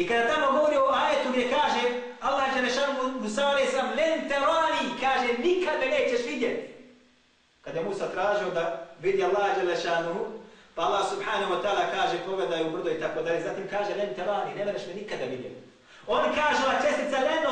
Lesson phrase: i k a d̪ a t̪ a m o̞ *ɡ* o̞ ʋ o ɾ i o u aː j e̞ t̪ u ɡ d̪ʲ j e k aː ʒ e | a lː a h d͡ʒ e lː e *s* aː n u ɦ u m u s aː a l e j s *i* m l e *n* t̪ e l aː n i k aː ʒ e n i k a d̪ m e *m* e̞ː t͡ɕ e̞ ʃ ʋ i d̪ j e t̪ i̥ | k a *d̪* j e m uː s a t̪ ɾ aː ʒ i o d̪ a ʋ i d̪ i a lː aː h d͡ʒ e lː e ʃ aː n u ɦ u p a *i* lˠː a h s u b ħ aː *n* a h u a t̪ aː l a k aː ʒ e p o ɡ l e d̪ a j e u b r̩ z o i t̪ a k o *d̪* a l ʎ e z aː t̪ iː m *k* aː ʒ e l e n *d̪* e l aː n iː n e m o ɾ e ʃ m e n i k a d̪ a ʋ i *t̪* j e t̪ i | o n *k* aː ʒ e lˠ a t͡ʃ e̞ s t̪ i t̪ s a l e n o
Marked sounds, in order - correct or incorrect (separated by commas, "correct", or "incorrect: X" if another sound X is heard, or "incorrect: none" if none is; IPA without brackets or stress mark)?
correct, incorrect: ʃ, incorrect: a, correct, incorrect: n, correct, incorrect: a, correct, correct, correct, incorrect: t̪, incorrect: d̪, correct